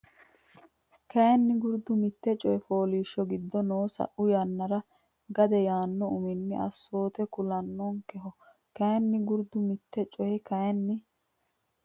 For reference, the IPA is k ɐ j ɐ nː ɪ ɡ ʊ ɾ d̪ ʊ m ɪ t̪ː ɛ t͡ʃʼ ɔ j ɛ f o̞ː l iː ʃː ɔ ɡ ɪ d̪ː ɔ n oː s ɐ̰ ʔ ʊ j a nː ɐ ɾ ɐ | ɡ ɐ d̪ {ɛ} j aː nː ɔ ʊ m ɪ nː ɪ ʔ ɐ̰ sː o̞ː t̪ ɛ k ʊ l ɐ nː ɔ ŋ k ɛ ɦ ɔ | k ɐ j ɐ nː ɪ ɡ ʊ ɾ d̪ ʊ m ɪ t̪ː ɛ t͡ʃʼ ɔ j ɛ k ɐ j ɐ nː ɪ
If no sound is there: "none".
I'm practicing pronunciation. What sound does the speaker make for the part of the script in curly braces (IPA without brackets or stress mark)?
ɛ